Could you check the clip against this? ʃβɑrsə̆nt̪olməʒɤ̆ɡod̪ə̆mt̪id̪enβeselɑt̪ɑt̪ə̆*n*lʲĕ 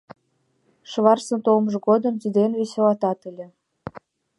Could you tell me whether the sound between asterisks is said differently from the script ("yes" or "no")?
yes